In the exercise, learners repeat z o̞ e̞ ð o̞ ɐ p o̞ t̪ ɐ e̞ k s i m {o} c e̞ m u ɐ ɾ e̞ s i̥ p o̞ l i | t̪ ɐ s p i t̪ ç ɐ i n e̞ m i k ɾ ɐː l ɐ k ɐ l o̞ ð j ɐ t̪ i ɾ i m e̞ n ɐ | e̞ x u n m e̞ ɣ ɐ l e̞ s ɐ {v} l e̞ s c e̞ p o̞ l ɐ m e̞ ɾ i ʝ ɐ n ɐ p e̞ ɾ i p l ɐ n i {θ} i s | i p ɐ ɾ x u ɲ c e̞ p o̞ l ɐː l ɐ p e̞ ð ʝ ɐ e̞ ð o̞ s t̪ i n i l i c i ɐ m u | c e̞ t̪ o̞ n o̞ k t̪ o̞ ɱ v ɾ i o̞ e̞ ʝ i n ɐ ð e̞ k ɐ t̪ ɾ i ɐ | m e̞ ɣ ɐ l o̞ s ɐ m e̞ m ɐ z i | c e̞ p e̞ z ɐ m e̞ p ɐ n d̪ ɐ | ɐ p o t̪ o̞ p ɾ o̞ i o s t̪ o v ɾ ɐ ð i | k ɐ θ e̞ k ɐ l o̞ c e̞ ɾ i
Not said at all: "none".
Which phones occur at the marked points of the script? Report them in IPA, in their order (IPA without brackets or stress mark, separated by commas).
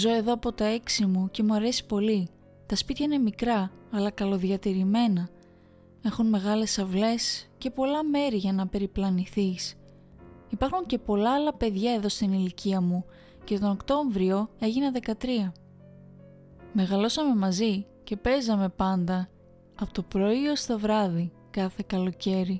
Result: u, v, θ